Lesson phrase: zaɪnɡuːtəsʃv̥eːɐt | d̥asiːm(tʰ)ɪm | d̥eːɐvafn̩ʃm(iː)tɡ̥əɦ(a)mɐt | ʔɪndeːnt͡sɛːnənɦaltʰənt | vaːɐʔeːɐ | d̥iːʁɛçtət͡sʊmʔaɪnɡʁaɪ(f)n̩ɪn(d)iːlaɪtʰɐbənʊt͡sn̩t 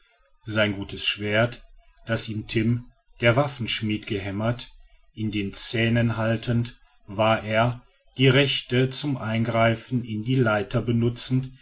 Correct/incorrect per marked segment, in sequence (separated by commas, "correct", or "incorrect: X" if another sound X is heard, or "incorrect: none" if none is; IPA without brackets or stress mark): correct, correct, incorrect: ɛ, correct, correct